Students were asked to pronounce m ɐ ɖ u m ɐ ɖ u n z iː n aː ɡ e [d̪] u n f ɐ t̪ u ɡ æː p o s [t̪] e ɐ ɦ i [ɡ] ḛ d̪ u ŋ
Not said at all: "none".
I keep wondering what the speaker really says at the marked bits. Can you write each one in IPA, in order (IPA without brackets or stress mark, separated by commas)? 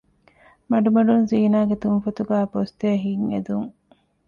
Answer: t̪, t̪, ŋ